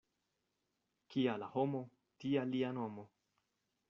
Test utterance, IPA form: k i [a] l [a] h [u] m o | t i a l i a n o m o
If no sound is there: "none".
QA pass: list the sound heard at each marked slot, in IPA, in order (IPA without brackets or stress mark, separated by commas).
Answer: a, a, o